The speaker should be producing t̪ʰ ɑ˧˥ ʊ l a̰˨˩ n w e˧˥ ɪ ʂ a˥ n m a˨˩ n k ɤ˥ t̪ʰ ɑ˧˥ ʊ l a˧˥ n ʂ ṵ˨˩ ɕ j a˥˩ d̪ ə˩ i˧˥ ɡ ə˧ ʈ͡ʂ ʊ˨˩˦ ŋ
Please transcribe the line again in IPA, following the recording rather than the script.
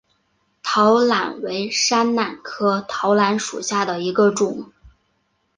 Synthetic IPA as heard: t̪ʰ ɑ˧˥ ʊ l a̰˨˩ n w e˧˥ ɪ ʂ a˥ n n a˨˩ n kʰ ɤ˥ t̪ʰ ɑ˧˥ ʊ l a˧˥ n ʂ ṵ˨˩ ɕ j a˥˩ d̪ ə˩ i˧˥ ɡ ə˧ ʈ͡ʂ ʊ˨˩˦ ŋ